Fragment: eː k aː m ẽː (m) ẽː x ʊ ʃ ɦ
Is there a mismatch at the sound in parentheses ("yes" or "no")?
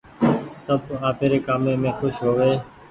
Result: no